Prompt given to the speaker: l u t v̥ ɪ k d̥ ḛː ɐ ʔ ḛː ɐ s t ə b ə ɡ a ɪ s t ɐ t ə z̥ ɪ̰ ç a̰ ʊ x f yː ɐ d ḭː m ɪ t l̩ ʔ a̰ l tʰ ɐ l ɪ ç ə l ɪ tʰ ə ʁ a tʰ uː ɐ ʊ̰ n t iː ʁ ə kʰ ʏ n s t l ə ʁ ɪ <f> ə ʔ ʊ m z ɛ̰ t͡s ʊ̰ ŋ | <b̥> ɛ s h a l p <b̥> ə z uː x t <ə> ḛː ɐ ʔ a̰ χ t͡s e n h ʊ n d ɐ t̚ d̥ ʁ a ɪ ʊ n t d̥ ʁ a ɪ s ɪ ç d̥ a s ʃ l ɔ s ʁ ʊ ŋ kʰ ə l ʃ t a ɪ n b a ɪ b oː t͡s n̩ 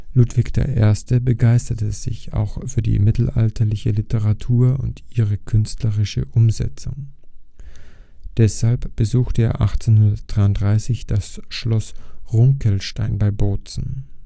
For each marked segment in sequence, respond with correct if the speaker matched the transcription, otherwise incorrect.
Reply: incorrect: ʃ, incorrect: d̥, correct, correct

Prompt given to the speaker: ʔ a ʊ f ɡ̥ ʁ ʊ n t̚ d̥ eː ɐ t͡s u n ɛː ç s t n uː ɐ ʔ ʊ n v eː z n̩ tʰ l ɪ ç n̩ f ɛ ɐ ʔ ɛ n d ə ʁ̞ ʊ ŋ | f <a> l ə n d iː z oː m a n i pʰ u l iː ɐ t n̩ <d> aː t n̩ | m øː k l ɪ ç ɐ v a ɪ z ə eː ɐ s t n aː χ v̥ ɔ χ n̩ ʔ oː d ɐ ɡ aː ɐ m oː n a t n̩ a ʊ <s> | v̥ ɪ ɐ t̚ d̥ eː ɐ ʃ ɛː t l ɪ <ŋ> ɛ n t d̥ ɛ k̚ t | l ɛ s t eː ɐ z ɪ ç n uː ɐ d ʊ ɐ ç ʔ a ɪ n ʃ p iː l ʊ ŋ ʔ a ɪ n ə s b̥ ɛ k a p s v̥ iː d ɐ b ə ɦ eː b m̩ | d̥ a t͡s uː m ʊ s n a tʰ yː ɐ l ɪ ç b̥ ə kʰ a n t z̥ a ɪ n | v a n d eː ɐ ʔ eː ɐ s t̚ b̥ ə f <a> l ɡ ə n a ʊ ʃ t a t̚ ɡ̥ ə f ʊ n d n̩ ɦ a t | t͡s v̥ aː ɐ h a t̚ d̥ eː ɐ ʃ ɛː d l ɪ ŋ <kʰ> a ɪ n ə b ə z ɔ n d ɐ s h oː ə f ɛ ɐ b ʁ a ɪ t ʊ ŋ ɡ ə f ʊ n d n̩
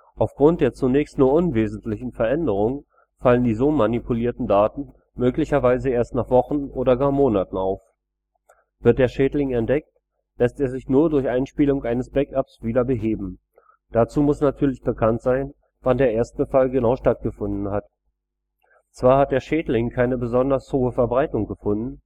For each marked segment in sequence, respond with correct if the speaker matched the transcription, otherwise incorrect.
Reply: correct, correct, incorrect: f, correct, correct, correct

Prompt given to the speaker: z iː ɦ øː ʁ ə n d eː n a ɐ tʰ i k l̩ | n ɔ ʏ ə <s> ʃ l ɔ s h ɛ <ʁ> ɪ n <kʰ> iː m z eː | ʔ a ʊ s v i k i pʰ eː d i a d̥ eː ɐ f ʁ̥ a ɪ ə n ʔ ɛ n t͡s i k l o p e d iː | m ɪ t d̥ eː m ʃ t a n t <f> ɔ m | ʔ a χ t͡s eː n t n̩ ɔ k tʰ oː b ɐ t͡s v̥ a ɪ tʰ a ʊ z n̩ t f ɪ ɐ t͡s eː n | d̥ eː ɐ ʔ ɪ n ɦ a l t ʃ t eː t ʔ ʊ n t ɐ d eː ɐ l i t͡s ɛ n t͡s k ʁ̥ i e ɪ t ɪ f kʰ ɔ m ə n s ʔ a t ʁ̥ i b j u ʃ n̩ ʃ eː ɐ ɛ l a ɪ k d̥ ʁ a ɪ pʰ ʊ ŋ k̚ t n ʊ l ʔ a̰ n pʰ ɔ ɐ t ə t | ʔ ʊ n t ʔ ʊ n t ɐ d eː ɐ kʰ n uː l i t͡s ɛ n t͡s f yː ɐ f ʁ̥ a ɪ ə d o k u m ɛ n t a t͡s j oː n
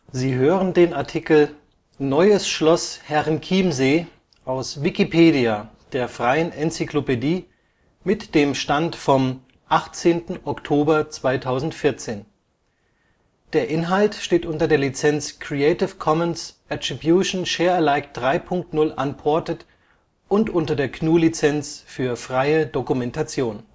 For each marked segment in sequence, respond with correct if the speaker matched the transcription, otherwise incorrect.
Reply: correct, correct, correct, correct

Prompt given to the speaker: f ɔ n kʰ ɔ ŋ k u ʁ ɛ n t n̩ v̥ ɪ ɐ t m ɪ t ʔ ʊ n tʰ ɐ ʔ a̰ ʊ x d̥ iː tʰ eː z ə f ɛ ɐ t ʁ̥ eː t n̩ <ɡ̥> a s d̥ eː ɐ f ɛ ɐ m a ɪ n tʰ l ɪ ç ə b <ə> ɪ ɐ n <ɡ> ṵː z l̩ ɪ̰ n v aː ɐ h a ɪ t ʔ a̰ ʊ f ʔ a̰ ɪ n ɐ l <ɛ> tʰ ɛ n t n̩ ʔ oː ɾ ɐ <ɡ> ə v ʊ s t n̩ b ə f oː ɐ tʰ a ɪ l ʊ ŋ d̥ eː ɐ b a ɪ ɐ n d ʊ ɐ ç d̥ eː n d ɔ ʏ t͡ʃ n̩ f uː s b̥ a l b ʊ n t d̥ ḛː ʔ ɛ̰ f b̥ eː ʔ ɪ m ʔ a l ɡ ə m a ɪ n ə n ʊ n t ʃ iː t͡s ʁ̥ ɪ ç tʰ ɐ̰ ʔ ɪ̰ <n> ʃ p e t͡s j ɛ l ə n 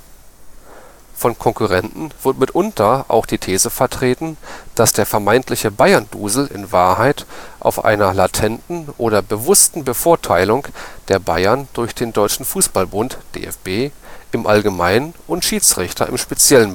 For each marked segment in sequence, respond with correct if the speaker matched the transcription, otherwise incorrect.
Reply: incorrect: d̥, incorrect: a, incorrect: d, incorrect: a, incorrect: b, incorrect: m

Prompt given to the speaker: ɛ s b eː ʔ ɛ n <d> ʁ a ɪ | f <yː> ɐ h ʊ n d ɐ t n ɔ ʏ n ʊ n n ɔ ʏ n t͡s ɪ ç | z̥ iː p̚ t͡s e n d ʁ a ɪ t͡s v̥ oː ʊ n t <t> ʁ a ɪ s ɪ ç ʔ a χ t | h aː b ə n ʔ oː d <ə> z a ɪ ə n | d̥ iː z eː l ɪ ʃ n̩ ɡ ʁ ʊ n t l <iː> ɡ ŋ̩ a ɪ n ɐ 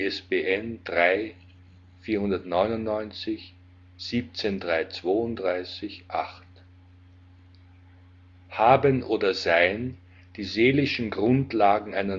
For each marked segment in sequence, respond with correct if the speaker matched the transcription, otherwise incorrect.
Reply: correct, incorrect: iː, incorrect: d, incorrect: ɐ, incorrect: aː

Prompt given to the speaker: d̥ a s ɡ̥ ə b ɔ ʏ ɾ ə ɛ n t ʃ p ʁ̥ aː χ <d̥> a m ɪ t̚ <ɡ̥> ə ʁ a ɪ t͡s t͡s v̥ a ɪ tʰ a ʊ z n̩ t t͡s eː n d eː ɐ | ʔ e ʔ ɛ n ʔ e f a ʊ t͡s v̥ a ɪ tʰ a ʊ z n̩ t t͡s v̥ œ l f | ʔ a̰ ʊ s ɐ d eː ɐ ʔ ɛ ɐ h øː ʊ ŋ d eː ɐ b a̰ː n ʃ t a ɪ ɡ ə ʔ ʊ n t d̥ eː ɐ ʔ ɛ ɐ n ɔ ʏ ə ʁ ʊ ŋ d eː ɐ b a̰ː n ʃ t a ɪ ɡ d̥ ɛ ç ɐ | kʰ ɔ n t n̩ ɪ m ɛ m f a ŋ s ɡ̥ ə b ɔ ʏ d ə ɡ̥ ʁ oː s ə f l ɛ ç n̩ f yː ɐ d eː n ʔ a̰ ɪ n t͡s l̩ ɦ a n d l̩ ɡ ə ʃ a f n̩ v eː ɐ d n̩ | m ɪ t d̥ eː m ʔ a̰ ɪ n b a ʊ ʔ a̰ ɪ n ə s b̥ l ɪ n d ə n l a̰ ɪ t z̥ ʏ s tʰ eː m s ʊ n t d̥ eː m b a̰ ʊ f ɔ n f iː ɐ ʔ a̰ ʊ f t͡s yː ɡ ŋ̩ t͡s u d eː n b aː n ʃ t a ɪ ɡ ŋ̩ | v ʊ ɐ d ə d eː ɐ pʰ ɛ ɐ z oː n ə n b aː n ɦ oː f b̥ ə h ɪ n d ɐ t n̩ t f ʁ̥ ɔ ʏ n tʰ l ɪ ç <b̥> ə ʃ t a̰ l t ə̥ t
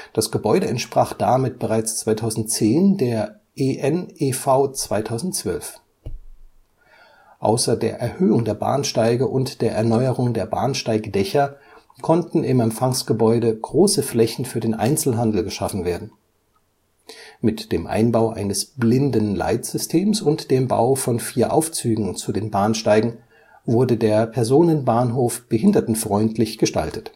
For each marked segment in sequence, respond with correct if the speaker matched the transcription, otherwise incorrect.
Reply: correct, incorrect: b̥, incorrect: ɡ̥

